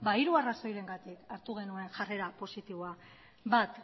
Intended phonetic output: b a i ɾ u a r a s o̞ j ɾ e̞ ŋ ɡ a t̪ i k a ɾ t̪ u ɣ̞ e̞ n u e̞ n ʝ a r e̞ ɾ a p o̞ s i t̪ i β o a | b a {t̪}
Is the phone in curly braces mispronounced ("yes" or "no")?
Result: no